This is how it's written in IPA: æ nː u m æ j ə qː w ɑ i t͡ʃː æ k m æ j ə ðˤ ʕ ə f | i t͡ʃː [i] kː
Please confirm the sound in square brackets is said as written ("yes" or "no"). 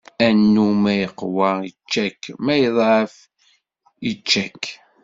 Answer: no